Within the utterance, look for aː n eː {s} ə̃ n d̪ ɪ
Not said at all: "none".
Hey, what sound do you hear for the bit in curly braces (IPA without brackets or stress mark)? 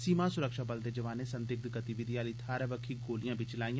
s